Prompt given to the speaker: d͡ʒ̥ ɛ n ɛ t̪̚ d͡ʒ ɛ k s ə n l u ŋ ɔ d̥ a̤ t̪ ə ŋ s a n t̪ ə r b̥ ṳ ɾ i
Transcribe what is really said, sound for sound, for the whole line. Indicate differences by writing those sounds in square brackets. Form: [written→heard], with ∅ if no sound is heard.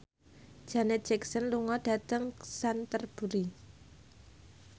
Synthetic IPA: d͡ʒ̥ [ɛ→a] n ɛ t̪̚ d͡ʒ ɛ k s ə n l u ŋ ɔ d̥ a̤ t̪ ə ŋ s a n t̪ ə r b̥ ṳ ɾ i